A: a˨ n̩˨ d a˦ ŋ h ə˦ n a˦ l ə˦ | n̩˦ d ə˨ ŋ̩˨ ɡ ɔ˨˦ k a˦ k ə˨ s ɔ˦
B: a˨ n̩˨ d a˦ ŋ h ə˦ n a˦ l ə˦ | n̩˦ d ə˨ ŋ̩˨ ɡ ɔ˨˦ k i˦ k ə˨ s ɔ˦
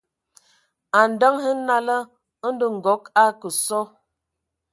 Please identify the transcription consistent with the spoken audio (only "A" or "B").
A